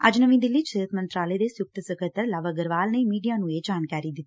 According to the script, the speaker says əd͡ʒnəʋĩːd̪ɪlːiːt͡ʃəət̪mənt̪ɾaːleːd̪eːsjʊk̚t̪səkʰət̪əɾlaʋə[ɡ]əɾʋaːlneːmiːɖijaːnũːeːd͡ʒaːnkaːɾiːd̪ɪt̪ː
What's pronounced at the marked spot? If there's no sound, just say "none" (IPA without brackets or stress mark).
ɡ